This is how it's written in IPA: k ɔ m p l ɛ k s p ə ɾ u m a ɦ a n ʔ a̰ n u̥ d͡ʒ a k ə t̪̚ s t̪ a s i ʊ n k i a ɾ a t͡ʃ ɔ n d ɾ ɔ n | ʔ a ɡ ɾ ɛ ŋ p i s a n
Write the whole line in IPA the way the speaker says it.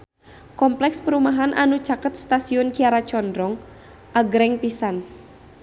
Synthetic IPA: k ɔ m p l ɛ k s p ə ɾ u m a ɦ a n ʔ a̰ n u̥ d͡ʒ a k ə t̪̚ s t̪ a s i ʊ n k i a ɾ a t͡ʃ ɔ n d ɾ ɔ ŋ | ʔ a ɡ ɾ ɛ ŋ p i s a n